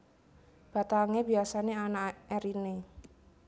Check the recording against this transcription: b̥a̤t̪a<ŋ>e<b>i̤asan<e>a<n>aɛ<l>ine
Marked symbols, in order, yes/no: yes, yes, yes, yes, no

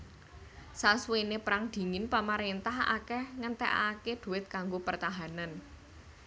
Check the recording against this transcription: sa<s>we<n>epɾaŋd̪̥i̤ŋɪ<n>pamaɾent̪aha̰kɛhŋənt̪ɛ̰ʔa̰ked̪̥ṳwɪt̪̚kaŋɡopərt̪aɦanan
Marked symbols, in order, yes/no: yes, yes, yes

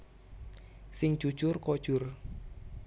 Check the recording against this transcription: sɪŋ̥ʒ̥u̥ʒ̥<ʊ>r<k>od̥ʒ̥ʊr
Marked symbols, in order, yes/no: yes, yes

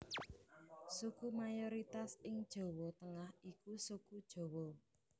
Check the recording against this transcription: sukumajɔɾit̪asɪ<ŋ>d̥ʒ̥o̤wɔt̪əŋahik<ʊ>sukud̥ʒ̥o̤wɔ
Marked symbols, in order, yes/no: yes, no

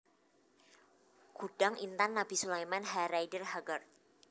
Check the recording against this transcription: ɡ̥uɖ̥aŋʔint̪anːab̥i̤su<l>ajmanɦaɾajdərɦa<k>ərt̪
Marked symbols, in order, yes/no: yes, no

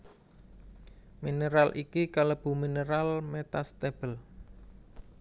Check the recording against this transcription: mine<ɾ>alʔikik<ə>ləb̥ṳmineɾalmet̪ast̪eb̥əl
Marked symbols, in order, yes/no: yes, no

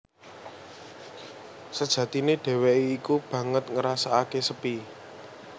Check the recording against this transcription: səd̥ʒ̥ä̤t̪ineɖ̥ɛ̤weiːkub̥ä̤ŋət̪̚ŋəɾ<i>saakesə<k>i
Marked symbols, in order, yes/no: no, no

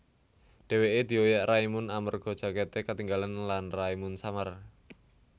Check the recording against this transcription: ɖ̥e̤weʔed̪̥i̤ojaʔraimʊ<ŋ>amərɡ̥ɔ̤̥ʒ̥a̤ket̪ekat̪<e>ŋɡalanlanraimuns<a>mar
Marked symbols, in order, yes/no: no, no, yes

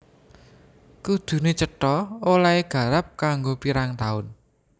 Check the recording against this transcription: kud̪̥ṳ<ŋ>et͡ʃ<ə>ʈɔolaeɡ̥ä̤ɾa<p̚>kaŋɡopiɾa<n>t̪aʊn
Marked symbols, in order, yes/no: no, yes, yes, no

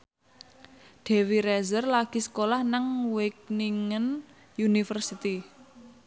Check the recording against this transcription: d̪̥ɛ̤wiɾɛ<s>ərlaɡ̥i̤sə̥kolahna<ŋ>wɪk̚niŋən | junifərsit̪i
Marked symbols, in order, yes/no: no, yes

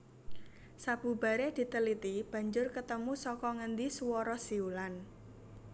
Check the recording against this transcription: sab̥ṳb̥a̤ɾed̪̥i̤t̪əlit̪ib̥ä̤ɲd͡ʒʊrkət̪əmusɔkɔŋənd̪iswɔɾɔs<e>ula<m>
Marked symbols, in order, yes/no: no, no

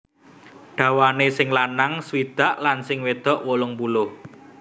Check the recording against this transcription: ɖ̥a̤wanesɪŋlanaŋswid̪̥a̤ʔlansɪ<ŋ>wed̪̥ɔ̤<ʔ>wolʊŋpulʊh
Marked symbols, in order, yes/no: yes, yes

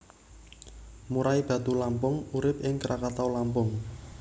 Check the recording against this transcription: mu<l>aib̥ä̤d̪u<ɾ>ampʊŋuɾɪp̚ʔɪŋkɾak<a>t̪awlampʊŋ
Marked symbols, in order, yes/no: no, no, yes

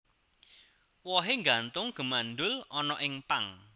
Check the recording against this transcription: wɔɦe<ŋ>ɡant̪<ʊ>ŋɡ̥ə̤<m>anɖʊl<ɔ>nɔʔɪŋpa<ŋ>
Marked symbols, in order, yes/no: yes, yes, yes, yes, yes

